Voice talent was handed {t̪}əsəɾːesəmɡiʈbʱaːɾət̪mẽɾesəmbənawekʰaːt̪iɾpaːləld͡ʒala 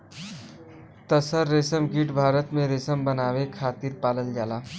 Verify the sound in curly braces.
correct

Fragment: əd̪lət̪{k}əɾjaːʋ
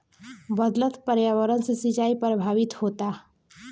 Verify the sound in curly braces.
incorrect: p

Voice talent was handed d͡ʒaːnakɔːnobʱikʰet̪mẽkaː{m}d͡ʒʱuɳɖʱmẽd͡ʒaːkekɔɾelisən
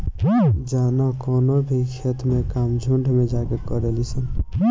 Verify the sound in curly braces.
correct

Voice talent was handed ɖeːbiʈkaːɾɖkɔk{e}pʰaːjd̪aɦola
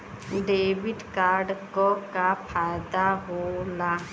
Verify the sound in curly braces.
incorrect: a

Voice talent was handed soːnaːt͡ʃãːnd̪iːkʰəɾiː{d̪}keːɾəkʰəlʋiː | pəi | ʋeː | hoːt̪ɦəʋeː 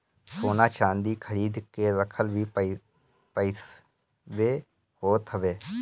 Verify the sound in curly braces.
correct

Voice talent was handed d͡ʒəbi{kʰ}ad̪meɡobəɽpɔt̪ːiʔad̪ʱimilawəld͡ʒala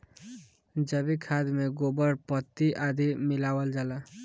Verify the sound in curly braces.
correct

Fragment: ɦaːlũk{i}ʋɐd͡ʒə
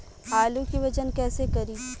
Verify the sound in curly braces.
correct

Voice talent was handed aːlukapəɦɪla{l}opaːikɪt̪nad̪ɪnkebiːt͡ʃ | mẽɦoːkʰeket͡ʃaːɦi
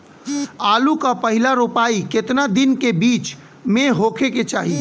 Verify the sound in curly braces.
incorrect: ɾ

